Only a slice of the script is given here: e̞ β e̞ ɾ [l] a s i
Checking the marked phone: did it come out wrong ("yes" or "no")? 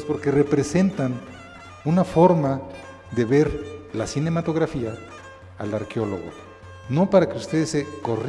no